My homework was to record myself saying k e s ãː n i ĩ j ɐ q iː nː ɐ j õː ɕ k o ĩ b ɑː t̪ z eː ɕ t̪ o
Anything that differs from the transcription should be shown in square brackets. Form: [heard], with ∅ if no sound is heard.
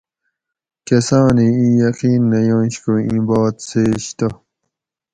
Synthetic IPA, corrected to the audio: k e s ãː n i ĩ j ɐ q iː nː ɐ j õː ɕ k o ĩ b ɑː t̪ [s] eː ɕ t̪ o